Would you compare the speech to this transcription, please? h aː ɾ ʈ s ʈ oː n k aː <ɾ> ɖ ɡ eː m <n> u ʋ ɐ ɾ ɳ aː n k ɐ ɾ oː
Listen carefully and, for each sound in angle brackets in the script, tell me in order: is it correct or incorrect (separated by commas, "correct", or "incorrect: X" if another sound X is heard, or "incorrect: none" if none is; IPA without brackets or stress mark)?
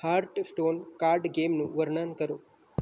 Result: correct, correct